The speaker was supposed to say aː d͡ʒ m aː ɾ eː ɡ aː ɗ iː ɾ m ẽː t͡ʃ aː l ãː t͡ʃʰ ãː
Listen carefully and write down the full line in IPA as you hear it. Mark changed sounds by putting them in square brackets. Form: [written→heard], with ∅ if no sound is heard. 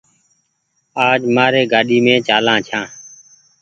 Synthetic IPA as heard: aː d͡ʒ m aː ɾ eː ɡ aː ɗ iː [ɾ→∅] m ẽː t͡ʃ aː l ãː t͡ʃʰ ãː